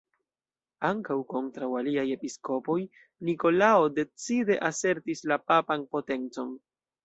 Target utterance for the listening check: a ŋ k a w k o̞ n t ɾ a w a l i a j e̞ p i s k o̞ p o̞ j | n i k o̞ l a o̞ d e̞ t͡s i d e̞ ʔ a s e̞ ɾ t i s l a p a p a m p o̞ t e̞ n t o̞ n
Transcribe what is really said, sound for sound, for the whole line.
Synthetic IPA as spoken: a ŋ k a w k o̞ n t ɾ a w a l i a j e̞ p i s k o̞ p o̞ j | n i k o̞ l a o̞ d e̞ t͡s i d e̞ ʔ a s e̞ ɾ t i s l a p a p a n p o̞ t e̞ n t͡s o̞ n